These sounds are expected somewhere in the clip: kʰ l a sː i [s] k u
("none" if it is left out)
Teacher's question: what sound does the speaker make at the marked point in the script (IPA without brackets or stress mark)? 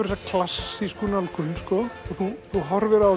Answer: s